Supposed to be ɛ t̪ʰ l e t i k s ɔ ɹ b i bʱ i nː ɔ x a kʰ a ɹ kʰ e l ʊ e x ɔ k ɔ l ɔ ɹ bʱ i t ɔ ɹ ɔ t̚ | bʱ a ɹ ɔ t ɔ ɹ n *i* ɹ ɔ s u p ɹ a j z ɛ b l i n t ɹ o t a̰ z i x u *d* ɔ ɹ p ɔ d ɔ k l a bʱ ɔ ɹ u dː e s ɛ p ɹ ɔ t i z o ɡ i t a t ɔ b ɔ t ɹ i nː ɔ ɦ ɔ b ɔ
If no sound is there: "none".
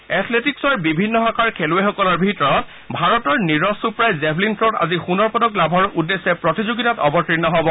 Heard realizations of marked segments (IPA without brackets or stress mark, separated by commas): i, n